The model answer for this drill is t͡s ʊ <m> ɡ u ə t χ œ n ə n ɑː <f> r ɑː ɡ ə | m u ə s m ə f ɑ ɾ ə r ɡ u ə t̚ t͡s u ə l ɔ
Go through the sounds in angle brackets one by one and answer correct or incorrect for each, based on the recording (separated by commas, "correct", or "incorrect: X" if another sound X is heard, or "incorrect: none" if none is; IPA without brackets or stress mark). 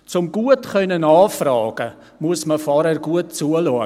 correct, correct